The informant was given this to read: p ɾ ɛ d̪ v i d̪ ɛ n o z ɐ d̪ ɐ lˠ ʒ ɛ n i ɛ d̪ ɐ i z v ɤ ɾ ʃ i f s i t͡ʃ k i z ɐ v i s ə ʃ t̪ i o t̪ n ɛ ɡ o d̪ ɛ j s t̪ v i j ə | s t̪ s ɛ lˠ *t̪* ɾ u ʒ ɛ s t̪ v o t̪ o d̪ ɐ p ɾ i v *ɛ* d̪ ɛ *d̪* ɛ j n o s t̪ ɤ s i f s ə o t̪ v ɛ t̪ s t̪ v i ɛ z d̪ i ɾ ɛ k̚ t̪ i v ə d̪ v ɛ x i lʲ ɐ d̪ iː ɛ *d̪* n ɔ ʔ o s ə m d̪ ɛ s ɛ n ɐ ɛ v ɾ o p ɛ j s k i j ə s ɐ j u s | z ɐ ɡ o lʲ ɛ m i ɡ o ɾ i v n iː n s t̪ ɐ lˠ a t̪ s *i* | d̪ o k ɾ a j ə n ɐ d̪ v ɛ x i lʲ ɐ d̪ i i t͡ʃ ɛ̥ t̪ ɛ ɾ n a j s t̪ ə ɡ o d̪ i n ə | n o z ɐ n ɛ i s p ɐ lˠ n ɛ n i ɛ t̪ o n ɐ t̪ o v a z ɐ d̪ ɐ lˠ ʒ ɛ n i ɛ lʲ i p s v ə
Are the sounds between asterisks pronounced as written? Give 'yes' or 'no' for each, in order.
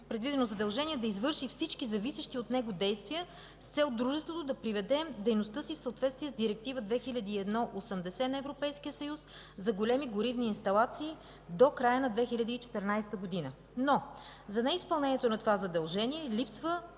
no, yes, yes, yes, no

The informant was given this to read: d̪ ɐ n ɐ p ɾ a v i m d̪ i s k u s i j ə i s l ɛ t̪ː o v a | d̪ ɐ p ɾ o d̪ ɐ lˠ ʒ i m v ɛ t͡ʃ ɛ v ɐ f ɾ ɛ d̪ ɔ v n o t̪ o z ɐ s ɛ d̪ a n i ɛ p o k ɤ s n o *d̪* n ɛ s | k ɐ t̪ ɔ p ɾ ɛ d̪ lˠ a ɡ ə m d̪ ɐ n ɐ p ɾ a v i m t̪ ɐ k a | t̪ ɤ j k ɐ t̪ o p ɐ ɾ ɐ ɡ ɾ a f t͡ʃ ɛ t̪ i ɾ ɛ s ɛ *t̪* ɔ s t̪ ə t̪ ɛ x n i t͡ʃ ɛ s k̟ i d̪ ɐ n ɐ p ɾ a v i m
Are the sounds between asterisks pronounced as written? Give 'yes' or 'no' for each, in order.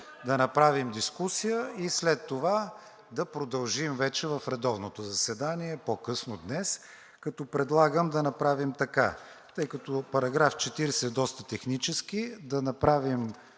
yes, no

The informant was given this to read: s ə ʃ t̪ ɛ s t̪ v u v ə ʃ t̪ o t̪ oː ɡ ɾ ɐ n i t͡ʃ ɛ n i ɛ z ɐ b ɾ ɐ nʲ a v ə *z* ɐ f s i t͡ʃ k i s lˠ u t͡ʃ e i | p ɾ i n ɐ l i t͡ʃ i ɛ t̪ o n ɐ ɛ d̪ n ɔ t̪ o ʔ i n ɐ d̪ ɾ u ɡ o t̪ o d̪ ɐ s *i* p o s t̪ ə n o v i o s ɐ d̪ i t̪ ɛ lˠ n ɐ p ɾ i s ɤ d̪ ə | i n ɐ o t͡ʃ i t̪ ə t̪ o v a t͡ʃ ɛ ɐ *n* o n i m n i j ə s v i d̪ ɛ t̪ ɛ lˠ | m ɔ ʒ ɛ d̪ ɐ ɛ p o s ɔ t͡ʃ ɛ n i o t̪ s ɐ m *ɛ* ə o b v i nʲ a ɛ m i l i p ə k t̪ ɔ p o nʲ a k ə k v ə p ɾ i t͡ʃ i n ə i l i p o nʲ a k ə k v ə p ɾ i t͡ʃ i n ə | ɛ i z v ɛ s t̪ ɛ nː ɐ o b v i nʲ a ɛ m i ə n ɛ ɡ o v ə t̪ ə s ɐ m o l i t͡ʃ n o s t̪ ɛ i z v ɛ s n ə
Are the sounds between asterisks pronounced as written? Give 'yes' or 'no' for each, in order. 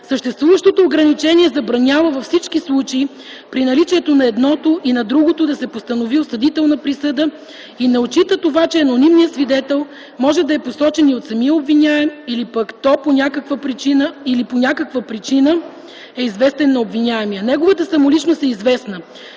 no, no, yes, no

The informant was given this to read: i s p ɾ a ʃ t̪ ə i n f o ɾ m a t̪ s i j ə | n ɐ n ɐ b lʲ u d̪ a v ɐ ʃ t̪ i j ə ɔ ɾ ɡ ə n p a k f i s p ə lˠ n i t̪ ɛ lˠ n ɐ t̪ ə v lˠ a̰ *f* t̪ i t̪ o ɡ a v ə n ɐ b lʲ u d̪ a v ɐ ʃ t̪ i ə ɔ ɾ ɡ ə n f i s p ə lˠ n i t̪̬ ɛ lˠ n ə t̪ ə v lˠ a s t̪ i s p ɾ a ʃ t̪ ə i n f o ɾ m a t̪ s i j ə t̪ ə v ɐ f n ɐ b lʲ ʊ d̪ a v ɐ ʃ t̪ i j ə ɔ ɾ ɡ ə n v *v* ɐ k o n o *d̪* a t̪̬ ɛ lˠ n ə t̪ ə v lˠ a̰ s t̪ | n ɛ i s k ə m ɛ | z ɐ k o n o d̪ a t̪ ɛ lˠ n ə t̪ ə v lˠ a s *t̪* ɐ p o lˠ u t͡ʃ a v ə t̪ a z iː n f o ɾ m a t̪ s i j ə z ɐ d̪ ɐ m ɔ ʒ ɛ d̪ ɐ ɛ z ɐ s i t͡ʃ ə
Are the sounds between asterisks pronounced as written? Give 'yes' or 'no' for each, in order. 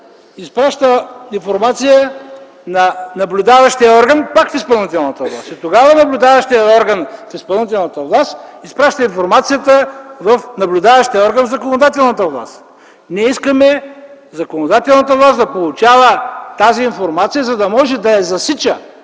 no, no, yes, no

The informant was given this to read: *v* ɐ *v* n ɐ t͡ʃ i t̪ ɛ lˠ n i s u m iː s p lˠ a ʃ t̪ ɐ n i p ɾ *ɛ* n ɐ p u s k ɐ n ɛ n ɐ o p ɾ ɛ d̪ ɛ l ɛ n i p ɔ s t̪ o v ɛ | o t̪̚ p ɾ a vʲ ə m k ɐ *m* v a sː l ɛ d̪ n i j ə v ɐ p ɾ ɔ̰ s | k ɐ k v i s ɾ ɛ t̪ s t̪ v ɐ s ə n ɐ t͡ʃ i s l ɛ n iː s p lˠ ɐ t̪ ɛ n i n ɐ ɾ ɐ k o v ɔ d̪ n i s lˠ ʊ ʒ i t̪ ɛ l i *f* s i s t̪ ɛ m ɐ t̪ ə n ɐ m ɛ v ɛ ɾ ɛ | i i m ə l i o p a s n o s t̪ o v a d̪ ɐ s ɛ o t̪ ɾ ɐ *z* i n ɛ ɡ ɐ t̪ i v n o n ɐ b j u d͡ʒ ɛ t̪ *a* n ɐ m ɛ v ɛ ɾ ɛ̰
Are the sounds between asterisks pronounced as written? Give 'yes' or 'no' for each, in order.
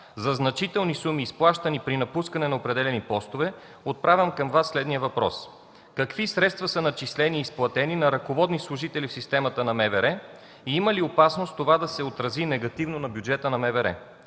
no, no, no, yes, yes, yes, no

